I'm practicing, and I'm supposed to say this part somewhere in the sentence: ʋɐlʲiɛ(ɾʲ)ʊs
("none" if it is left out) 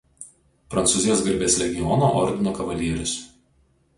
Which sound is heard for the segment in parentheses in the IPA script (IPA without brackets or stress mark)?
ɾʲ